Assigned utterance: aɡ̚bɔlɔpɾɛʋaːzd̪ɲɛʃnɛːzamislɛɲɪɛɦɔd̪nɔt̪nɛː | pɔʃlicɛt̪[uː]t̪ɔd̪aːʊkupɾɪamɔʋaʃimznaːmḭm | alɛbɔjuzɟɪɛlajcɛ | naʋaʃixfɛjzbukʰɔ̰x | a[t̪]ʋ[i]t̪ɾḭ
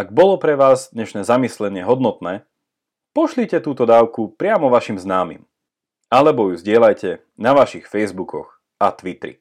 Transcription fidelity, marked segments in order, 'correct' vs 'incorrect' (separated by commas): correct, correct, correct